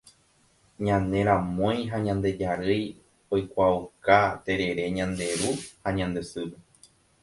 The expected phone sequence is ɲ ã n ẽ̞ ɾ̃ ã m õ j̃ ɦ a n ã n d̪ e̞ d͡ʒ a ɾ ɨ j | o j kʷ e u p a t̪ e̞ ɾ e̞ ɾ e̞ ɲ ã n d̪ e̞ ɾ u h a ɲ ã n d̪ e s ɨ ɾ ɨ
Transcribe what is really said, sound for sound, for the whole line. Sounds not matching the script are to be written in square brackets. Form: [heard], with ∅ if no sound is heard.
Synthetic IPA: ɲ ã n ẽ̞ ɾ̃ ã m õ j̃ ɦ a [ɲ] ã n d̪ e̞ d͡ʒ a ɾ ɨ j | o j kʷ [a] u [k] a t̪ e̞ ɾ e̞ ɾ e̞ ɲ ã n d̪ e̞ ɾ u h a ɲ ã n d̪ e s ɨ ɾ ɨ